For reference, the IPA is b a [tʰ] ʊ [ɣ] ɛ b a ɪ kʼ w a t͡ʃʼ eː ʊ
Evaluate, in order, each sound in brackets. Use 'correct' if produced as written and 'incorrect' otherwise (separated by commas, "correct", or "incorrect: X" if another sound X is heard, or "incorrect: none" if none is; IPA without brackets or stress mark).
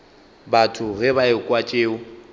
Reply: correct, correct